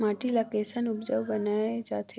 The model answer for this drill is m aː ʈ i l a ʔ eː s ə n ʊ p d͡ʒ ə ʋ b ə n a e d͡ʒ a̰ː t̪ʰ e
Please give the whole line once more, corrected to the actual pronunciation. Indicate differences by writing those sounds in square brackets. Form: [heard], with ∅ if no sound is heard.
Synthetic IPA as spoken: m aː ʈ i l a [k] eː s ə n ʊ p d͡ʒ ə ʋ b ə n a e d͡ʒ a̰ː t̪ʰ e

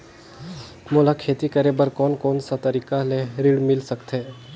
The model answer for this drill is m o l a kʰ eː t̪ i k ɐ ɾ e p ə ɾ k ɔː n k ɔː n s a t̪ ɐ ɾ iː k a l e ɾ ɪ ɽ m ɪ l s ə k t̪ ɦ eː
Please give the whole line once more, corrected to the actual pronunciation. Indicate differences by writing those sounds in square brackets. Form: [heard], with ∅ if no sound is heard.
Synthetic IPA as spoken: m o l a kʰ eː t̪ i k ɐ ɾ e [b] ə ɾ k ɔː n k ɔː n s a t̪ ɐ ɾ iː k a l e ɾ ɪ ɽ m ɪ l s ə k t̪ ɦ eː

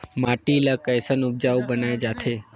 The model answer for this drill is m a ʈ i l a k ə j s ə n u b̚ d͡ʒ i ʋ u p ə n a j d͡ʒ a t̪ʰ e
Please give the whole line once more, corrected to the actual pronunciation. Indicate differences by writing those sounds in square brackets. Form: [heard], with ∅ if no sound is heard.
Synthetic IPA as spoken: m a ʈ i l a k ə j s ə n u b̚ d͡ʒ [a] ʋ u [b] ə n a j d͡ʒ a t̪ʰ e

